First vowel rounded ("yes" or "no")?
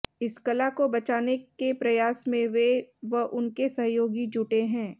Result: no